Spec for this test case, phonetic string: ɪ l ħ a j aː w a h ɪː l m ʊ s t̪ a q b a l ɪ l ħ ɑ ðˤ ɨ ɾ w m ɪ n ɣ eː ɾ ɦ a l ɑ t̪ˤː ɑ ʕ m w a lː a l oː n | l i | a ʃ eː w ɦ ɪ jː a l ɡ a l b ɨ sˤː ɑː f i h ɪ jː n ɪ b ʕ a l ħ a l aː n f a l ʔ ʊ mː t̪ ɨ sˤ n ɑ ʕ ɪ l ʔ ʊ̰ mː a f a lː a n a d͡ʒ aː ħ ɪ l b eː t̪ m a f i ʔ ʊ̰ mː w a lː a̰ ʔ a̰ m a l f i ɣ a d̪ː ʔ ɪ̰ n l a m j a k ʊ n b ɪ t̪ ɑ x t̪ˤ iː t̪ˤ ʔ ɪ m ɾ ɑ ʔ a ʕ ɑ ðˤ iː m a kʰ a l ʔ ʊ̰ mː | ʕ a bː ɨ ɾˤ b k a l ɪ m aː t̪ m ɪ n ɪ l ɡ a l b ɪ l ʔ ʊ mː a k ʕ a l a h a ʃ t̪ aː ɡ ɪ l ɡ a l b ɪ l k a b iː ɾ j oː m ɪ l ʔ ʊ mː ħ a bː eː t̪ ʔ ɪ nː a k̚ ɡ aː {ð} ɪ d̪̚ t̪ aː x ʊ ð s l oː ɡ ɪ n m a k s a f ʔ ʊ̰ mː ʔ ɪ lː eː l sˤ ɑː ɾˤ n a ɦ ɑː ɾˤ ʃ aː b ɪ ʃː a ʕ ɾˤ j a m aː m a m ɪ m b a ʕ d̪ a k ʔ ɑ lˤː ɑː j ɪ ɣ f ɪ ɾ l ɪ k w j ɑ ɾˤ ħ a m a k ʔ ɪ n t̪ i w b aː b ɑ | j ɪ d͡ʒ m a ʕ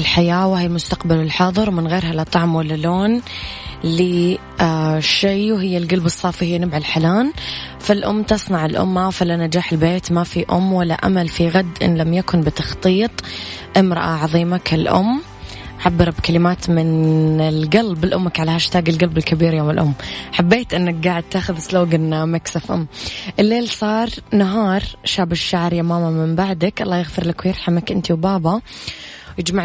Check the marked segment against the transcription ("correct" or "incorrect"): incorrect